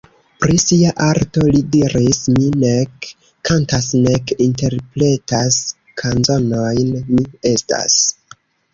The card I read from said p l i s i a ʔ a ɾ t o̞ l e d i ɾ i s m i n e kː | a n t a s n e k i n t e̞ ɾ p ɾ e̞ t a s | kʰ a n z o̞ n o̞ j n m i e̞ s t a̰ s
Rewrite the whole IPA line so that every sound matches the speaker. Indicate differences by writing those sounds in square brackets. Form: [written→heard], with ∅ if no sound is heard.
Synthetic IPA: p [l→ɾ] i s i a ʔ a ɾ t o̞ l [e→i] d i ɾ i s m i n e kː | a n t a s n e k i n t e̞ ɾ p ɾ e̞ t a s | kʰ a n z o̞ n o̞ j n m i e̞ s t a̰ s

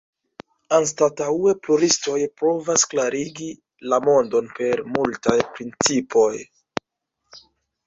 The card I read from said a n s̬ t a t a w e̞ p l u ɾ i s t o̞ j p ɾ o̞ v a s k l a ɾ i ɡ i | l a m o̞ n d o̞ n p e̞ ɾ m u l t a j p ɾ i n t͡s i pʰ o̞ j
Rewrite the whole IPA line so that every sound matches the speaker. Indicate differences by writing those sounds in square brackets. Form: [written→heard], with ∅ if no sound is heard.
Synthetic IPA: a n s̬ t a t a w e̞ p l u ɾ i s t o̞ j p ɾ o̞ v a s k l a ɾ i ɡ i | l a m o̞ n d o̞ n p e̞ ɾ m u l t a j p ɾ i n t͡s i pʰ o̞ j

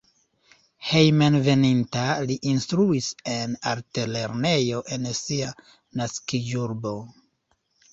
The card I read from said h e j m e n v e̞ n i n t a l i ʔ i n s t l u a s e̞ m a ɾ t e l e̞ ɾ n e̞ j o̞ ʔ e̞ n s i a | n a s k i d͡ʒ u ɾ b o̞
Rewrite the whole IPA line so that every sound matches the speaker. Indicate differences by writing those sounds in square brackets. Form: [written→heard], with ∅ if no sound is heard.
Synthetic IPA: h e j m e n v e̞ n i n t a l i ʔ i n s t [l→ɾ] u [a→i] s e̞ [m→n] a ɾ t e l e̞ ɾ n e̞ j o̞ ʔ e̞ n s i a | n a s k i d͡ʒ u ɾ b o̞

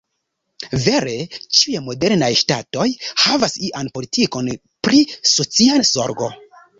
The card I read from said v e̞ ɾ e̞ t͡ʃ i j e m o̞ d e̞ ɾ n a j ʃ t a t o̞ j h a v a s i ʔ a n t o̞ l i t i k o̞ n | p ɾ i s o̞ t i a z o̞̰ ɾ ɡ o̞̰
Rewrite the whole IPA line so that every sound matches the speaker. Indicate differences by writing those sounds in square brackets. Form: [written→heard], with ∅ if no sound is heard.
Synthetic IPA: v e̞ ɾ e̞ t͡ʃ i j e m o̞ d e̞ ɾ n a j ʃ t a t o̞ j h a v a s i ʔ a n [t→p] o̞ l i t i k o̞ n | p ɾ i s o̞ [t→t͡s] i a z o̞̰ ɾ ɡ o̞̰

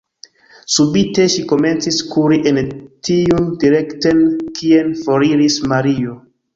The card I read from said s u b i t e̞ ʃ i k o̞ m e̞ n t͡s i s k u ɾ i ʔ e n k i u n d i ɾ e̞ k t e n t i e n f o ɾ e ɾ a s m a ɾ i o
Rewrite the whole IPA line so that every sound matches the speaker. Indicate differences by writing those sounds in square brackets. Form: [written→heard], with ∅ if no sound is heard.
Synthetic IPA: s u b i t e̞ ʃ i k o̞ m e̞ n t͡s i s k u ɾ i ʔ e n [k→t] i u n d i ɾ e̞ k t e n [t→k] i e n f o ɾ [e→i] ɾ [a→i] s m a ɾ i o

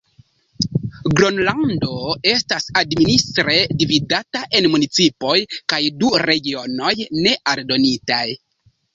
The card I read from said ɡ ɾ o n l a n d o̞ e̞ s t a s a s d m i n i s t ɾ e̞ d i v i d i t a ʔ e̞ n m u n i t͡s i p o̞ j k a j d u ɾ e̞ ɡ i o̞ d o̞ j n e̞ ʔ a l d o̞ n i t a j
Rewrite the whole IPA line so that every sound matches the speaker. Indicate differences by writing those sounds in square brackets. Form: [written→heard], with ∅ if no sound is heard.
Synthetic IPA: ɡ ɾ o n l a n d o̞ e̞ s t a s a [s→∅] d m i n i s t ɾ e̞ d i v i d [i→a] t a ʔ e̞ n m u n i t͡s i p o̞ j k a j d u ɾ e̞ ɡ i o̞ [d→n] o̞ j n e̞ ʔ a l d o̞ n i t a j

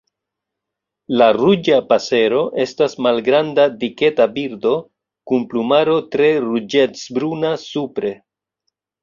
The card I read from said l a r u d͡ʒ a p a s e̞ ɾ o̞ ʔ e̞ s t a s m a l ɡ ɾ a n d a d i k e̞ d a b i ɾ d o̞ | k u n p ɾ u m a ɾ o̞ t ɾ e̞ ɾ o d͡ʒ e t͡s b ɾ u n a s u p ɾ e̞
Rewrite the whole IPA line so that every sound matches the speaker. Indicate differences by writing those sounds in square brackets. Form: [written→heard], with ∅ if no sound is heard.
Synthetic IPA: l a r u d͡ʒ a p a s e̞ ɾ o̞ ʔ e̞ s t a s m a l ɡ ɾ a n d a d i k e̞ [d→t] a b i ɾ d o̞ | k u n p [ɾ→l] u m a ɾ o̞ t ɾ e̞ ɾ [o→u] d͡ʒ e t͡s b ɾ u n a s u p ɾ e̞

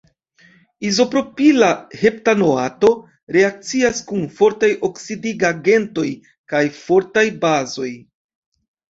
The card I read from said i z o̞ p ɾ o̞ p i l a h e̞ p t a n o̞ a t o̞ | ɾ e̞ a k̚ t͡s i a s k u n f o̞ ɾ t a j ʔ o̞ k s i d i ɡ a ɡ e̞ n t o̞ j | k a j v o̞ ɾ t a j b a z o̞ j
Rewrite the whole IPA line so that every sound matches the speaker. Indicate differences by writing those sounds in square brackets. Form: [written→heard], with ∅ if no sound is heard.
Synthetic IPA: i z o̞ p ɾ o̞ p i l a h e̞ p t a n o̞ a t o̞ | ɾ e̞ a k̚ t͡s i a s k u n f o̞ ɾ t a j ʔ o̞ k s i d i ɡ a ɡ e̞ n t o̞ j | k a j [v→f] o̞ ɾ t a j b a z o̞ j

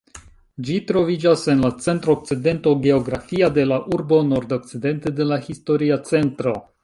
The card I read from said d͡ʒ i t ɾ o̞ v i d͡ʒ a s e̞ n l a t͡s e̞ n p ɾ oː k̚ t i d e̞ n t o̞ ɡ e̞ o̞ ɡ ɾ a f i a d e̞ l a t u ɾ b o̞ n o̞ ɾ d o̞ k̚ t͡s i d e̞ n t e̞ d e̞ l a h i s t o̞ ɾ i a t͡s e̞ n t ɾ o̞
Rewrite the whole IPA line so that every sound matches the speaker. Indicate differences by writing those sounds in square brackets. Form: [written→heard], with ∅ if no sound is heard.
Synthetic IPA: d͡ʒ i t ɾ o̞ v i d͡ʒ a s e̞ n l a t͡s e̞ n [p→t] ɾ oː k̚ [t→t͡s] i d e̞ n t o̞ ɡ e̞ o̞ ɡ ɾ a f i a d e̞ l a [t→ʔ] u ɾ b o̞ n o̞ ɾ d o̞ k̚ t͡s i d e̞ n t e̞ d e̞ l a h i s t o̞ ɾ i a t͡s e̞ n t ɾ o̞

